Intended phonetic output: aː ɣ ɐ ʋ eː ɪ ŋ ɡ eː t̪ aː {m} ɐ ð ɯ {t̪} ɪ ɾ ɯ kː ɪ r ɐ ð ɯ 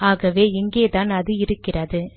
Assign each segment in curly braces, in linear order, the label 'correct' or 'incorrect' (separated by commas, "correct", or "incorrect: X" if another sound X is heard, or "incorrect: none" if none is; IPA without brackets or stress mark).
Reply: incorrect: n, incorrect: none